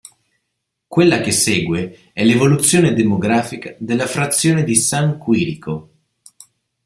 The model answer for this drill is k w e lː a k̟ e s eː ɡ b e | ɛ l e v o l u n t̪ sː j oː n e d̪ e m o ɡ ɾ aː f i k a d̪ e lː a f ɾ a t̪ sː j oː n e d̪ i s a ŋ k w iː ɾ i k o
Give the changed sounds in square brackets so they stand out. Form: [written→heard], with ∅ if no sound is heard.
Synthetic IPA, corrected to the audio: k w e lː a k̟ e s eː ɡ [b→w] e | ɛ l e v o l u [n→∅] t̪ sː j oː n e d̪ e m o ɡ ɾ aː f i k a d̪ e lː a f ɾ a t̪ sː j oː n e d̪ i s a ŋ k w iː ɾ i k o